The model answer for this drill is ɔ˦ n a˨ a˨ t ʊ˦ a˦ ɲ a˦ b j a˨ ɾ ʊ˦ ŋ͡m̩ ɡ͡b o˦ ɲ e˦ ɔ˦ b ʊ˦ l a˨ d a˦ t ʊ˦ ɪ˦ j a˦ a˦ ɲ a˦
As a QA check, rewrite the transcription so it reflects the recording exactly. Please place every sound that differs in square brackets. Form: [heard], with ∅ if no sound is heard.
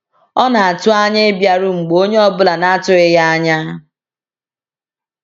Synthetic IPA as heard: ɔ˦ n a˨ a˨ t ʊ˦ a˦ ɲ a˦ b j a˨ ɾ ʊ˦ ŋ͡m̩ ɡ͡b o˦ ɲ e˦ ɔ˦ b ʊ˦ l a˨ [n] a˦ t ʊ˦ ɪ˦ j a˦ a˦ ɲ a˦